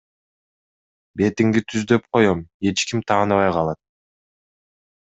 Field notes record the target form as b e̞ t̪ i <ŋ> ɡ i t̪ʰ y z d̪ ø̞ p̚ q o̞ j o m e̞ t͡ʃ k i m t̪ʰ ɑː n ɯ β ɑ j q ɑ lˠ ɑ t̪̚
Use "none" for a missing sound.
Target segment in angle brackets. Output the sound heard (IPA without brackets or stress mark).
ŋ